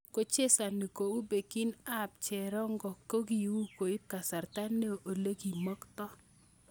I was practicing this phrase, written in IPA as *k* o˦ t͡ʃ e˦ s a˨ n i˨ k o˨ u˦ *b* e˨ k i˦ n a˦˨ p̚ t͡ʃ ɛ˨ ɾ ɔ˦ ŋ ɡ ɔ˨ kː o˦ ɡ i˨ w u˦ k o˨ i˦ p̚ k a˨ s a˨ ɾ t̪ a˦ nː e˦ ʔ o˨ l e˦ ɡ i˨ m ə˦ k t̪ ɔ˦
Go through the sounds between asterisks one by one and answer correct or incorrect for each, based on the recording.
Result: correct, correct

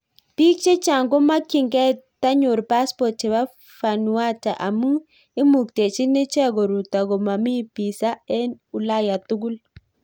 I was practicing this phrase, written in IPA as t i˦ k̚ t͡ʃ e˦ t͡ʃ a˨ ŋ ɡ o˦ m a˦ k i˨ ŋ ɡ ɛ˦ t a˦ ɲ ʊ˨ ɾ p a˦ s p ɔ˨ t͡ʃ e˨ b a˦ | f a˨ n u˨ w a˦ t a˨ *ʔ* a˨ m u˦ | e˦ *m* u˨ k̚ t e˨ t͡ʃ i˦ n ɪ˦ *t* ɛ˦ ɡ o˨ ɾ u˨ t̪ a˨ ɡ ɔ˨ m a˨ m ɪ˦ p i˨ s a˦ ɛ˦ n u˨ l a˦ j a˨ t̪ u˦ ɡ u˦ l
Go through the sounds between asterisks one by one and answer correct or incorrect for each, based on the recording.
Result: correct, correct, incorrect: t͡ʃ

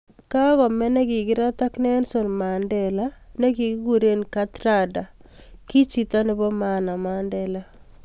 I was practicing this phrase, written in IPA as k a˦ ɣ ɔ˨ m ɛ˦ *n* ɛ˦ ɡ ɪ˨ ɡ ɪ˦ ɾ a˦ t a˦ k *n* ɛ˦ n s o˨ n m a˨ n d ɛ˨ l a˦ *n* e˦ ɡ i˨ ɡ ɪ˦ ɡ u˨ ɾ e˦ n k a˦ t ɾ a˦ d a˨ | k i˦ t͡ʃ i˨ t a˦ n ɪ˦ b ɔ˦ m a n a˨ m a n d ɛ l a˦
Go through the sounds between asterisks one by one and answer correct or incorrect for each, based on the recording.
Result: correct, correct, correct

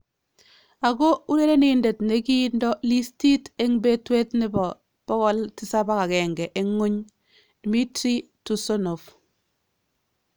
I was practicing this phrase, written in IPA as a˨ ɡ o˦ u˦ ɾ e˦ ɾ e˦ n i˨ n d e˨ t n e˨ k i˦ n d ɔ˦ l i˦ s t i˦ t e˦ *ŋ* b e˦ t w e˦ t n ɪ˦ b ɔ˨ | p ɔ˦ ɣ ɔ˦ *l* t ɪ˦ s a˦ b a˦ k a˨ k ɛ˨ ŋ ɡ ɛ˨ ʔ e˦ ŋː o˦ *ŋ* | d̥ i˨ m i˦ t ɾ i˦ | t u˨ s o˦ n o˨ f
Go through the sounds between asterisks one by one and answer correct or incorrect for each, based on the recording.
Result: correct, correct, incorrect: ɲ

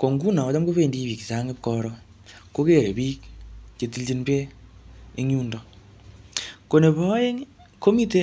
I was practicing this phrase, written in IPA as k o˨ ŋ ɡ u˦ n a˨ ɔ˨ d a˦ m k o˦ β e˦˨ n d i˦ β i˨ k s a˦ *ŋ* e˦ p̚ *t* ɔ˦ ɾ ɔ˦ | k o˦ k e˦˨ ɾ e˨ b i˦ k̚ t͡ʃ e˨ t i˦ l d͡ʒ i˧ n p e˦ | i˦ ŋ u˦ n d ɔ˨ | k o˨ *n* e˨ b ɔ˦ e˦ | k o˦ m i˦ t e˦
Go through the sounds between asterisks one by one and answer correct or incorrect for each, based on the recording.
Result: correct, incorrect: k, correct

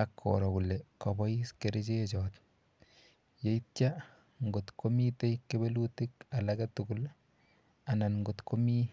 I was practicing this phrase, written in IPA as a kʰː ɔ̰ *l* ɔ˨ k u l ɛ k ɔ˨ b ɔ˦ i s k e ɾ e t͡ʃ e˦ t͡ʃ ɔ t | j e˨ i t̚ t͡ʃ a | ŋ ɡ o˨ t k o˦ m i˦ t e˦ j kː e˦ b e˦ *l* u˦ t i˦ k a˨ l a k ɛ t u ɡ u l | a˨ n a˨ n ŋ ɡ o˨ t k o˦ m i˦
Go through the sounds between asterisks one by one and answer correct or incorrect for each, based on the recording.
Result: incorrect: ɾ, correct

